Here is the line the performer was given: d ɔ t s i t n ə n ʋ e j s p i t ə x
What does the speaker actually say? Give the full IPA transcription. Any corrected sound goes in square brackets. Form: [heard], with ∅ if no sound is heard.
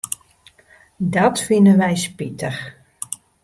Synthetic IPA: d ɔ t [f] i [∅] n ə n ʋ [ɛ] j s p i t ə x